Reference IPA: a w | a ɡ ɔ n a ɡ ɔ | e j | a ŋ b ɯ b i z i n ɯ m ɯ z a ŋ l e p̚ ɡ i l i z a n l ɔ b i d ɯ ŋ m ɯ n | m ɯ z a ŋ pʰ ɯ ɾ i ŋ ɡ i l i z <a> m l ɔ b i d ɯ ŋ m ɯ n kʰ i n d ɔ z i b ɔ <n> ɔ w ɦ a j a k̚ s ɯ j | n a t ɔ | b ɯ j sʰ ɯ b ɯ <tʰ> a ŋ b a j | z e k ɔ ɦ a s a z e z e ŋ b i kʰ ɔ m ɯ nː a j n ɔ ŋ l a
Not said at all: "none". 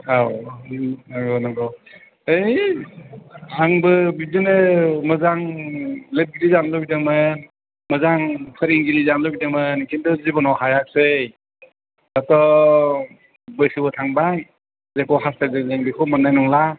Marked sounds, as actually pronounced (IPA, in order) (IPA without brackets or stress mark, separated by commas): a, n, tʰ